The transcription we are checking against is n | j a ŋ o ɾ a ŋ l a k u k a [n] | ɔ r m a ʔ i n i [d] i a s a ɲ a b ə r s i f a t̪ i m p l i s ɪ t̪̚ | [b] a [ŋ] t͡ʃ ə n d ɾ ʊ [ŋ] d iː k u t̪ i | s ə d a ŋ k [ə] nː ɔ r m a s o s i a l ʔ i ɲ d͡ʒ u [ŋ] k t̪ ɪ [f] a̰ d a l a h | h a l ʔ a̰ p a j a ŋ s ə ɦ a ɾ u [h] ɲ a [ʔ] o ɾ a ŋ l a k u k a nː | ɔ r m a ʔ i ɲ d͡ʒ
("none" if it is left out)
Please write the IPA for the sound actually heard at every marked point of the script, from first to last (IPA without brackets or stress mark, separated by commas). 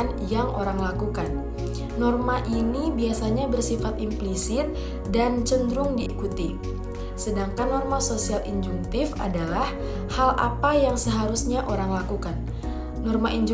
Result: nː, b, d, n, ŋ, a, ŋ, f, s, ʔ